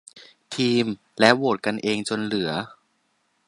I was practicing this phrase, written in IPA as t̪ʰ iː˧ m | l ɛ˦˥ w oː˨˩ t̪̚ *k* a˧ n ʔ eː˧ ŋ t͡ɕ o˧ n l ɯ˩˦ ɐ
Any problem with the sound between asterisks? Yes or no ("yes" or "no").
no